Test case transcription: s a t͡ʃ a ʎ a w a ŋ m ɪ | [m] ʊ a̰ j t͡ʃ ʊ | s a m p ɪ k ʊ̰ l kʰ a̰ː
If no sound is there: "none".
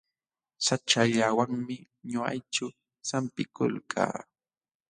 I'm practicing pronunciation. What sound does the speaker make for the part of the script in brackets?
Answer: ɲ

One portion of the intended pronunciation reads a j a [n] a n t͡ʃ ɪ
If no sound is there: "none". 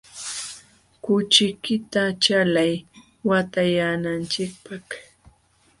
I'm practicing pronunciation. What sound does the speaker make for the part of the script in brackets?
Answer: n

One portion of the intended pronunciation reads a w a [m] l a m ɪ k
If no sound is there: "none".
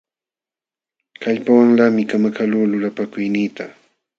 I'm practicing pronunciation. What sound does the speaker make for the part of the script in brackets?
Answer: ŋ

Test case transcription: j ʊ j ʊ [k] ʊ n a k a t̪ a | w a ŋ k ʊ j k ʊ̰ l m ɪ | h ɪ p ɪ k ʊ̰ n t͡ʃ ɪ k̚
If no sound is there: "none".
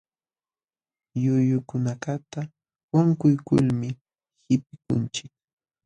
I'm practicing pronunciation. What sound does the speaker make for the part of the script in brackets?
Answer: k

